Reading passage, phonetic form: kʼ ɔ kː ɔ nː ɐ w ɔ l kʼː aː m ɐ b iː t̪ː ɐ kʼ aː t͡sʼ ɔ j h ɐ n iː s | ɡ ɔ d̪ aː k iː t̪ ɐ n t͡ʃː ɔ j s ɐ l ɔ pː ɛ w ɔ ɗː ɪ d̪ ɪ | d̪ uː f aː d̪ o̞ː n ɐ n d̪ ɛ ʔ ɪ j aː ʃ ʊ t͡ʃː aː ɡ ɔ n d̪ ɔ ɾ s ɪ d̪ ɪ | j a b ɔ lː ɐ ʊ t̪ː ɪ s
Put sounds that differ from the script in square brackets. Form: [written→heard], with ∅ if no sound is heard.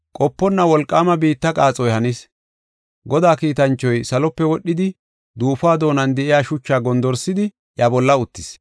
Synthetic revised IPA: kʼ ɔ [kː→pː] ɔ nː ɐ w ɔ l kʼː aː m ɐ b iː t̪ː ɐ kʼ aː t͡sʼ ɔ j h ɐ n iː s | ɡ ɔ d̪ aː k iː t̪ ɐ n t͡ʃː ɔ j s ɐ l ɔ pː ɛ w ɔ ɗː ɪ d̪ ɪ | d̪ uː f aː d̪ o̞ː n ɐ n d̪ ɛ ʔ ɪ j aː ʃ ʊ t͡ʃː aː ɡ ɔ n d̪ ɔ ɾ s ɪ d̪ ɪ | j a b ɔ lː ɐ ʊ t̪ː ɪ s